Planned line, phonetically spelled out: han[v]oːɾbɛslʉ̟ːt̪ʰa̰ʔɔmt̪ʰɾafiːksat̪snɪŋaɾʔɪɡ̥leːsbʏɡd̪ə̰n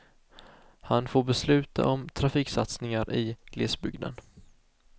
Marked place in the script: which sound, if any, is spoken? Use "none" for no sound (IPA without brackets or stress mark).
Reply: f